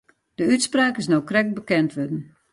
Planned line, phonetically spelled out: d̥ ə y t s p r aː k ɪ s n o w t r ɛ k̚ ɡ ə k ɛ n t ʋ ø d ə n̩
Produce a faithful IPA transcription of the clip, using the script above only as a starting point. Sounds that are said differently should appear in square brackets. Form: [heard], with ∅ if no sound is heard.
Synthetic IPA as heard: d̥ ə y t s p r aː k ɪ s n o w [k] r ɛ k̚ [b] ə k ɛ n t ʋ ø d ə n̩

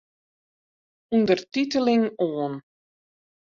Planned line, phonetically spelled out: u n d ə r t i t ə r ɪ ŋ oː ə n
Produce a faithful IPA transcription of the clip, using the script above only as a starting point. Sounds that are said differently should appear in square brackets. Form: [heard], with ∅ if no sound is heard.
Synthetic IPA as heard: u n d ə r t i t ə [l] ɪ ŋ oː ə n

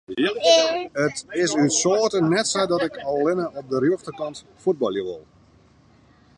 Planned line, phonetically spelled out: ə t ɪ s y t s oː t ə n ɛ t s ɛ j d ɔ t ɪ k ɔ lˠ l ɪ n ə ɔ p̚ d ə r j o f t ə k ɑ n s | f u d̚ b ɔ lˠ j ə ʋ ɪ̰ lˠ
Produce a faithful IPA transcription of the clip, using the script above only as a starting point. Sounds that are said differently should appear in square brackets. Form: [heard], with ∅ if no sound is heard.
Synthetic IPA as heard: ə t ɪ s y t s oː t ə n ɛ t s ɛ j d ɔ t ɪ k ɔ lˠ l ɪ n ə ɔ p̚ d ə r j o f t ə k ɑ n [t] | f u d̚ b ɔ lˠ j ə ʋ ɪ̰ lˠ

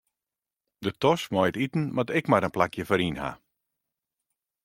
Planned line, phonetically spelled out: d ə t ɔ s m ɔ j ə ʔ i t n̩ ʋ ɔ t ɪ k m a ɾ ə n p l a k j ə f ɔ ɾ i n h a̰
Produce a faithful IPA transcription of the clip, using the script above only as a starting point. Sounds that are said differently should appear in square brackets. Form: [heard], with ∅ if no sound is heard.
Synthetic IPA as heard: d ə t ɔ s m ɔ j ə [t] i t n̩ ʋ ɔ t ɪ k m a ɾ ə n p l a k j ə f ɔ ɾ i n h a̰

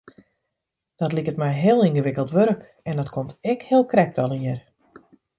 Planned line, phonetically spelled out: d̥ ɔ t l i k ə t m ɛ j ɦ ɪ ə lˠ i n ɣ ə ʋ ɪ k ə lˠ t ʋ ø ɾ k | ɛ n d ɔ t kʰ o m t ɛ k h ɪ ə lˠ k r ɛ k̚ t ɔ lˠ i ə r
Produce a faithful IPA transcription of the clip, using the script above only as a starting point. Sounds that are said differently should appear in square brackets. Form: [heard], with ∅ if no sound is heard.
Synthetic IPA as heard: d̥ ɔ t l i k ə t m ɛ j ɦ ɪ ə lˠ i n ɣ ə ʋ ɪ k ə lˠ t ʋ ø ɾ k | ɛ n d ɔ t kʰ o m t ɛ k h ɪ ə lˠ k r ɛ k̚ t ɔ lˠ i ə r

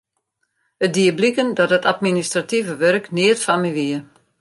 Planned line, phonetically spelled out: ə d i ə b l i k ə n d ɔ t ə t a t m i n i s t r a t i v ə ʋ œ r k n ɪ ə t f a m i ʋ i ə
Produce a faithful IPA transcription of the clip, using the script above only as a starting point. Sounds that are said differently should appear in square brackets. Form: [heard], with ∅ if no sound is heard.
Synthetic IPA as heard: ə d i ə b l i k ə n d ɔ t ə t a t m i n i s t r a t i v ə ʋ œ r k n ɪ ə t f a m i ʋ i ə

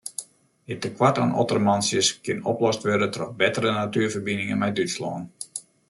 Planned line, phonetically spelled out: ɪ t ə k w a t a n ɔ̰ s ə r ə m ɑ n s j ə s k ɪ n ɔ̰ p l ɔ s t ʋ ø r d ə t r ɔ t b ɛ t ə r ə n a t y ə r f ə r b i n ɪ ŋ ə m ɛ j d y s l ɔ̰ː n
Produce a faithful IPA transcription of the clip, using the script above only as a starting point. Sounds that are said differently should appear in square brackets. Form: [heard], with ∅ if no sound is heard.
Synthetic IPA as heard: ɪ t ə k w a t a n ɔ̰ [t] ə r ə m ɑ n s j ə s k ɪ n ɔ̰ p l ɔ s t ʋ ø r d ə t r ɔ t b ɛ t ə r ə n a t y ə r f ə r b i n ɪ ŋ ə m ɛ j d y s l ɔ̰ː n

